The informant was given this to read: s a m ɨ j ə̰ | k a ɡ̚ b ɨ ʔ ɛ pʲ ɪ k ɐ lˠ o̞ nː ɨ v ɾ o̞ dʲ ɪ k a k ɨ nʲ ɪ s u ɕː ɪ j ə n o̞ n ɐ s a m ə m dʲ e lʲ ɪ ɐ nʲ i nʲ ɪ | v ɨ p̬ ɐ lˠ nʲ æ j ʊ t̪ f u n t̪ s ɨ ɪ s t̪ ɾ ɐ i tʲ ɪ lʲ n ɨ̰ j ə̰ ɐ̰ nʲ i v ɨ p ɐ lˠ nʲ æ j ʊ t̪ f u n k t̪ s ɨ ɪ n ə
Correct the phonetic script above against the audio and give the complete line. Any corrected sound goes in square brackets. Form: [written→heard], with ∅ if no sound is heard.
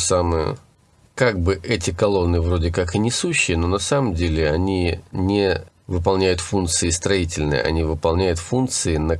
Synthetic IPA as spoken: s a m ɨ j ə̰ | k a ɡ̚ b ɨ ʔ ɛ [pʲ→tʲ] ɪ k ɐ lˠ o̞ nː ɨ v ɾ o̞ dʲ ɪ k a k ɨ nʲ ɪ s u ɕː ɪ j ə n o̞ n ɐ s a m ə m dʲ e lʲ ɪ ɐ nʲ i nʲ ɪ | v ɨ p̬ ɐ lˠ nʲ æ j ʊ t̪ f u n t̪ s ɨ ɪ s t̪ ɾ ɐ i tʲ ɪ lʲ n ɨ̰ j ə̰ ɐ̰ nʲ i v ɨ p ɐ lˠ nʲ æ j ʊ t̪ f u n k t̪ s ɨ ɪ n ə